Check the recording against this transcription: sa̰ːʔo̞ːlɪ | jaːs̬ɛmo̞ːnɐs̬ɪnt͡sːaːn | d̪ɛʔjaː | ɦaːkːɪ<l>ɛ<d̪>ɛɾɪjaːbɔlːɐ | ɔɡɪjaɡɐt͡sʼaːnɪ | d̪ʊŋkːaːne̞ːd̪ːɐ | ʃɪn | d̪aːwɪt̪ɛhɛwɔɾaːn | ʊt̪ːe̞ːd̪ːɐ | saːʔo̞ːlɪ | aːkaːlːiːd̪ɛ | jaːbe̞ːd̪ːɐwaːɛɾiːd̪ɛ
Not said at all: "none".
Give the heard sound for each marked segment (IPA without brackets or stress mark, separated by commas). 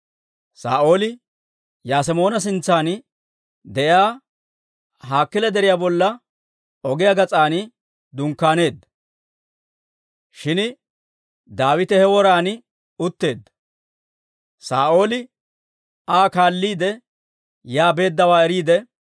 l, d̪